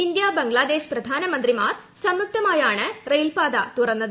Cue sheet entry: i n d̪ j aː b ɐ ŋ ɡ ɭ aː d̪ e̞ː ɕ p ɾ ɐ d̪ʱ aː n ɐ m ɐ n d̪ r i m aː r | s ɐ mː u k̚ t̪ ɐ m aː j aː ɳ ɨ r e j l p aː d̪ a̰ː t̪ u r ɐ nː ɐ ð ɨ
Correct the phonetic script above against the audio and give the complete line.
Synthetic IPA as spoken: i n d̪ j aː b ɐ ŋ ɡ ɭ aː d̪ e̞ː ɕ p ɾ ɐ d̪ʱ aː n ɐ m ɐ n d̪ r i m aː r | s ɐ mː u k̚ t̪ ɐ m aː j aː ɳ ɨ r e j l p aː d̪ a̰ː t̪ u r ɐ nː ɐ ð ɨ